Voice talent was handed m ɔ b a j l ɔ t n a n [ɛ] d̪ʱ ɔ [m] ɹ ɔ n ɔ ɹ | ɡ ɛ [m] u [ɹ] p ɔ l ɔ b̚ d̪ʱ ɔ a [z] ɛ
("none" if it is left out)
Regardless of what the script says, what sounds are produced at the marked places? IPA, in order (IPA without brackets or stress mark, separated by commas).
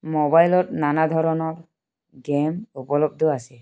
a, none, m, none, s